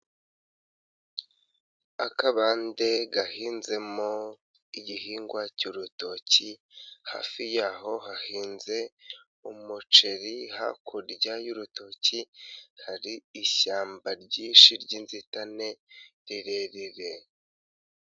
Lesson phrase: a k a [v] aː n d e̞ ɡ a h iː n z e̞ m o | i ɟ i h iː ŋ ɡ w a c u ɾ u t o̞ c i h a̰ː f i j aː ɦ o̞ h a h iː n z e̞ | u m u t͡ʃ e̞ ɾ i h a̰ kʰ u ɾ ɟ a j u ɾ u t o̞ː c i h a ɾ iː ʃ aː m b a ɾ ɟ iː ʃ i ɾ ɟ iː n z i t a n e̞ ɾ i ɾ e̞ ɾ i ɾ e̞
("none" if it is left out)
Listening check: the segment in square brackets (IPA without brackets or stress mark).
β